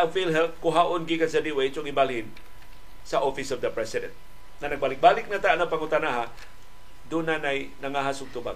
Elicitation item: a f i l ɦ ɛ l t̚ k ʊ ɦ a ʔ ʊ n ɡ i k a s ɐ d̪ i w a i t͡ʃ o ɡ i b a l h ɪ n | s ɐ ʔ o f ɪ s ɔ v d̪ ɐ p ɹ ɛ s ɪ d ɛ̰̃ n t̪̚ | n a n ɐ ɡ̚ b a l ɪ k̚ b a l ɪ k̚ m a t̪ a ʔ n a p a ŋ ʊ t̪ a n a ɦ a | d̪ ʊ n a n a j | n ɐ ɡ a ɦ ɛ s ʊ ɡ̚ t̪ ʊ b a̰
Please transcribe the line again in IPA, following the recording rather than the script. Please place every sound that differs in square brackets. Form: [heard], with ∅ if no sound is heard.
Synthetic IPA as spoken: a f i l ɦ ɛ l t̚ k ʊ ɦ a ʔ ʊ n ɡ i k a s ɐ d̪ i w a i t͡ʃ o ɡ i b a l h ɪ n | s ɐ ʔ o f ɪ s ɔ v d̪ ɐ p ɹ ɛ s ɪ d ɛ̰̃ n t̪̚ | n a n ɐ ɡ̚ b a l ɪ k̚ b a l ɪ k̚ [n] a t̪ a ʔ n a p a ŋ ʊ t̪ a n a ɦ a | d̪ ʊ n a n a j | n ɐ [ŋ] a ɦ [a] s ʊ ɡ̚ t̪ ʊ b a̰